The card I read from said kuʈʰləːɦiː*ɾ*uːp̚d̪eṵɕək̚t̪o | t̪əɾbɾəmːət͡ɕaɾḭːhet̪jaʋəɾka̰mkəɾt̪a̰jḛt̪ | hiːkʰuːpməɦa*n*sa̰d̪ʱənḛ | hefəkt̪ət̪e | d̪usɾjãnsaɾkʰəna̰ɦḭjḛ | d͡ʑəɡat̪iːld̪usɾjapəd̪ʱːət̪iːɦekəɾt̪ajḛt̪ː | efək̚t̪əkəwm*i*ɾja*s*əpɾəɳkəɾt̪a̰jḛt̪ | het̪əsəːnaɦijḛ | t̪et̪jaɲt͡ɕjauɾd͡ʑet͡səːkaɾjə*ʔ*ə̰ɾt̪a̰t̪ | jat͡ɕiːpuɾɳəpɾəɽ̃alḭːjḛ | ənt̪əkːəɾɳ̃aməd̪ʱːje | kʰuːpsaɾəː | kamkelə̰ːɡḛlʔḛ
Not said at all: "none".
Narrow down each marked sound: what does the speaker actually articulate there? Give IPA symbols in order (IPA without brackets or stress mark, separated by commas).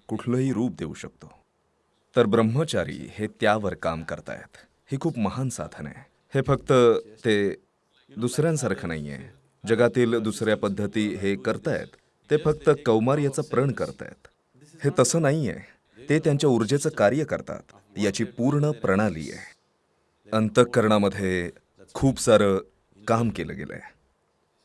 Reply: ɾ, n, a, t͡s, k